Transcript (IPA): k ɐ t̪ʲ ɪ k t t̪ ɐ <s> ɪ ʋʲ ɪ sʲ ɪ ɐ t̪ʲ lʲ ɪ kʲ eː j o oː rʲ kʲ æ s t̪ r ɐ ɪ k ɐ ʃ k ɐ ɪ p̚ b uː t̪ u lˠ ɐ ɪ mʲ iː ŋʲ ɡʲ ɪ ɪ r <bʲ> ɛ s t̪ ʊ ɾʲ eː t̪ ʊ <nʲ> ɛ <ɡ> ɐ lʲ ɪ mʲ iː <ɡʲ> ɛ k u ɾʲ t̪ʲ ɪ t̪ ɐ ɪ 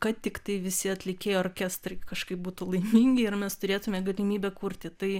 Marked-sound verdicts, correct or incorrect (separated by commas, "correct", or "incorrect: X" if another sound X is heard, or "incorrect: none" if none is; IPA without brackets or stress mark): incorrect: none, incorrect: mʲ, incorrect: mʲ, correct, incorrect: bʲ